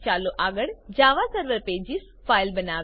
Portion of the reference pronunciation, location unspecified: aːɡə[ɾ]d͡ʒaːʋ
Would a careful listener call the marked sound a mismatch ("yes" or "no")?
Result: yes